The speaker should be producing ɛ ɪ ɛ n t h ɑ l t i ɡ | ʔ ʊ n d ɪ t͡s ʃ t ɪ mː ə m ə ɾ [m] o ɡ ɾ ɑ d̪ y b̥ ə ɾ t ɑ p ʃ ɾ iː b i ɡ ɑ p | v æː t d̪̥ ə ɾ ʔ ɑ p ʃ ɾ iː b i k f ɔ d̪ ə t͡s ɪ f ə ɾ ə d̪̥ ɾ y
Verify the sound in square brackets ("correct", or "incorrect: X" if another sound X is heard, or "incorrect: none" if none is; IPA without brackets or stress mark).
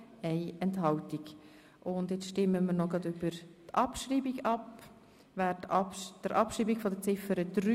incorrect: n